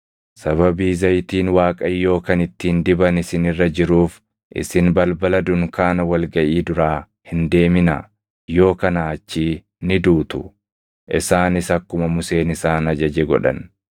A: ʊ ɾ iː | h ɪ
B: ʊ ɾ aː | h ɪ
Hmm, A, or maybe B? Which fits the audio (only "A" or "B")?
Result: B